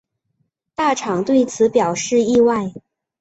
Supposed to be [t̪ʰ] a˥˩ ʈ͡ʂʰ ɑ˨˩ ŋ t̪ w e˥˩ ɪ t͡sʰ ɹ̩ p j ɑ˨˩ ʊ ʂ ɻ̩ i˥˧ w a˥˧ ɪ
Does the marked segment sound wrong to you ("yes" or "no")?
yes